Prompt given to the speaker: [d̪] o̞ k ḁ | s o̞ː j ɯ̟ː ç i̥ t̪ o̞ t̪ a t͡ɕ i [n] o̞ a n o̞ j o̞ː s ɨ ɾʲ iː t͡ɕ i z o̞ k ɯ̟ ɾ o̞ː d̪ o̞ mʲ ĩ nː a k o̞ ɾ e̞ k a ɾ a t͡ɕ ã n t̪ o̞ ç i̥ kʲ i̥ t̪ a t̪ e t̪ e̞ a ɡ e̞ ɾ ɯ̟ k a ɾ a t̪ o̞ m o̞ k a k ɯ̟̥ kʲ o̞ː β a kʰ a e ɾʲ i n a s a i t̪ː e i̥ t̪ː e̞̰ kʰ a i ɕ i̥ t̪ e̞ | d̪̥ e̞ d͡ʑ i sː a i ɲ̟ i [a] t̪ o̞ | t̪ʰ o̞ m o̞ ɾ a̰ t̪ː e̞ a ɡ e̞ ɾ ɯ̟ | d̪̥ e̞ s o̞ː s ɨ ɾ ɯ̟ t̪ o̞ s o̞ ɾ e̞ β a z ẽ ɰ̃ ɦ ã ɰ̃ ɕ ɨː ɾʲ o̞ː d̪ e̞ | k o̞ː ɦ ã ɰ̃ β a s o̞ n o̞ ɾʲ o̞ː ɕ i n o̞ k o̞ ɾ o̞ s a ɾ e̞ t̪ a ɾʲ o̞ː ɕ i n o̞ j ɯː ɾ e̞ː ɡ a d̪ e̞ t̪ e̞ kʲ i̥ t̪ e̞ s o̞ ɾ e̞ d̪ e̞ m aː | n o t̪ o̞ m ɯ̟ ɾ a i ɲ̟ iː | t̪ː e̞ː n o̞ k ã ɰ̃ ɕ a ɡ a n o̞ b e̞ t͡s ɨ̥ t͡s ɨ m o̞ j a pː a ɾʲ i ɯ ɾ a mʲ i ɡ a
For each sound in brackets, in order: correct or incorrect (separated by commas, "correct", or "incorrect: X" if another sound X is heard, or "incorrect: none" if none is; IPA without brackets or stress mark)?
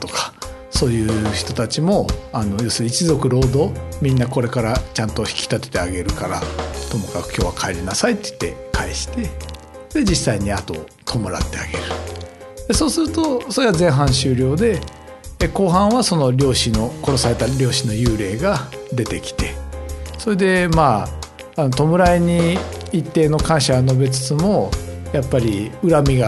incorrect: t̪, incorrect: m, correct